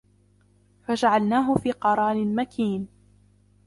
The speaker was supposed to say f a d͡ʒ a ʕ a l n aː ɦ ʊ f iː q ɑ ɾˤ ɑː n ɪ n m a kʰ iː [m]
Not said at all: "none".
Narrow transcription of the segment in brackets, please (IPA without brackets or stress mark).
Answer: n